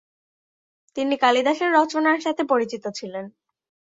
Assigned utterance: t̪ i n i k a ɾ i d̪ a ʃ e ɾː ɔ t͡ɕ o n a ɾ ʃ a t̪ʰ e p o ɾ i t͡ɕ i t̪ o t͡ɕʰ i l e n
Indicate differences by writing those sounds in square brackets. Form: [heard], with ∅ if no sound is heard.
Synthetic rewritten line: t̪ i n i k a [l] i d̪ a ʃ e ɾː ɔ t͡ɕ o n a ɾ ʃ a t̪ʰ e p o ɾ i t͡ɕ i t̪ o t͡ɕʰ i l e n